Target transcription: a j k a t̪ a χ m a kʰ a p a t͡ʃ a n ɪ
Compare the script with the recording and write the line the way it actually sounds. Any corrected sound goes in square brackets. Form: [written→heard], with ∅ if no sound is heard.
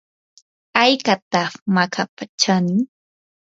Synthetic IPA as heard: a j k a t̪ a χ m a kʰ a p a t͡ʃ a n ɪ